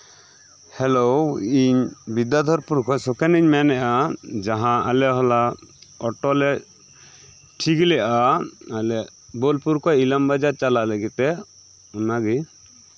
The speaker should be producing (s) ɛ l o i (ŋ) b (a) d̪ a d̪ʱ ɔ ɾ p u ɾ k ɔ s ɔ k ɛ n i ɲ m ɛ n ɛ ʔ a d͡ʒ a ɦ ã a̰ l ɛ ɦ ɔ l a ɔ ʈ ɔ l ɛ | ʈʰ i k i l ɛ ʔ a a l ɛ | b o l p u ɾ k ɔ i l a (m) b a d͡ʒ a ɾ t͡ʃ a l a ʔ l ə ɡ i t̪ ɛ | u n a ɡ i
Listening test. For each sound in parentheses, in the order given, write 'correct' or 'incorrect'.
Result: incorrect: h, incorrect: ɲ, incorrect: i, correct

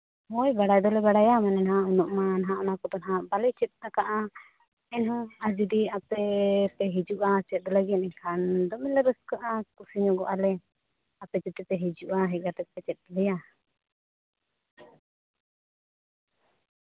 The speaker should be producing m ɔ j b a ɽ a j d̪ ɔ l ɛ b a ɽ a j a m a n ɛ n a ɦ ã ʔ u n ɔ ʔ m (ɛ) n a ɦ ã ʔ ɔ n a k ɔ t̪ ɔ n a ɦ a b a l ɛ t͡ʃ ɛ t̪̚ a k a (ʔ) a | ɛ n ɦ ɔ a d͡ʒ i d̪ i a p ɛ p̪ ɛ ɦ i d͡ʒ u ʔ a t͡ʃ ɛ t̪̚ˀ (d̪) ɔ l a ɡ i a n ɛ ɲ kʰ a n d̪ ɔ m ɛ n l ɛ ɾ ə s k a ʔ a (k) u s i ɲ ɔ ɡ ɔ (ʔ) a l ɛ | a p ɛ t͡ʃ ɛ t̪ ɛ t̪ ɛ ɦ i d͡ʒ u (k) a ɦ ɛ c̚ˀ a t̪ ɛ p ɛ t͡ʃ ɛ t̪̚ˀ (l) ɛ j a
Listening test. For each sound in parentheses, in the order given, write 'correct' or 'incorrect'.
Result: incorrect: a, correct, correct, correct, correct, incorrect: ʔ, correct

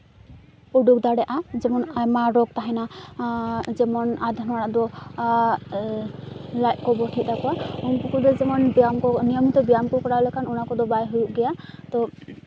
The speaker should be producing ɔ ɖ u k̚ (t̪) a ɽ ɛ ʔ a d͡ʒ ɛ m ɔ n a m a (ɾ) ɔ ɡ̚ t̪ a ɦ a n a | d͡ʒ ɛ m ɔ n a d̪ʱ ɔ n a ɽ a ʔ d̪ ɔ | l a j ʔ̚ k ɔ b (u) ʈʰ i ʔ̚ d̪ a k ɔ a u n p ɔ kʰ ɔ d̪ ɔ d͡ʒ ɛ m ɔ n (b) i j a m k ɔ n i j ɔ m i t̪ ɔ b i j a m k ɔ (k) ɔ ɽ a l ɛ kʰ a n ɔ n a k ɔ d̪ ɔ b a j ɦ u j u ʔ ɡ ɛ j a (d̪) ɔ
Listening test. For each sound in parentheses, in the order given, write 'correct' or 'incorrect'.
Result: incorrect: d̪, correct, incorrect: ɔ, correct, correct, incorrect: t̪

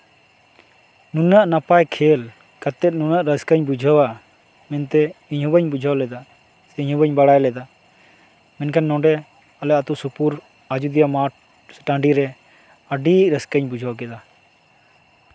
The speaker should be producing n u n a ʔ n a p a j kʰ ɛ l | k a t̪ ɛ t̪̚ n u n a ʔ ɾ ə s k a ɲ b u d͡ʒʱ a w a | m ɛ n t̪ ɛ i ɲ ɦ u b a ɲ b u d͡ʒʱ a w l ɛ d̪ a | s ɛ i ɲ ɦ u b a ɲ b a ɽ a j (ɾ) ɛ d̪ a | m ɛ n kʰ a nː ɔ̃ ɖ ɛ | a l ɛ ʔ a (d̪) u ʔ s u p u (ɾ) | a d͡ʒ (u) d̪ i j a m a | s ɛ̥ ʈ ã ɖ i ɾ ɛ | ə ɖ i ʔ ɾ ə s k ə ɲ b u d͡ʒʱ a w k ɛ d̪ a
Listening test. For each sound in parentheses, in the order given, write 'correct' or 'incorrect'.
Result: incorrect: l, incorrect: t̪, correct, correct

